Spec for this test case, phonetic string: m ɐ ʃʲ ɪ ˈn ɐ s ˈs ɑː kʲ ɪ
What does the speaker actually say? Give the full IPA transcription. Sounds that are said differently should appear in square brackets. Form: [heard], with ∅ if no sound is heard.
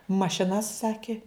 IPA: m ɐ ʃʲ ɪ ˈn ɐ s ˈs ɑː kʲ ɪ